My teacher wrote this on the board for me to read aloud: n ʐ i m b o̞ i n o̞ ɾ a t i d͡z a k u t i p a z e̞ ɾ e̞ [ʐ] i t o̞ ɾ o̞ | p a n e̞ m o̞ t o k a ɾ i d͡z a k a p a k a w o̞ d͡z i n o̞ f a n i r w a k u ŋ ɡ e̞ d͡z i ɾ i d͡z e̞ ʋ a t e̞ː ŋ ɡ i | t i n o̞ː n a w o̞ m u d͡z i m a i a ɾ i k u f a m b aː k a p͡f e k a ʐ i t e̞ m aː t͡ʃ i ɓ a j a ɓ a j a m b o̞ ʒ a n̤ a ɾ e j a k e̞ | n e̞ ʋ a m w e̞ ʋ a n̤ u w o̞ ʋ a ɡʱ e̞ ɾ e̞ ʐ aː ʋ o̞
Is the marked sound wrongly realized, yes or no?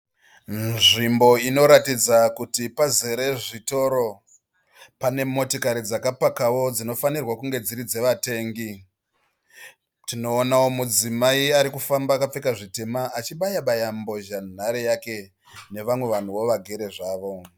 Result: no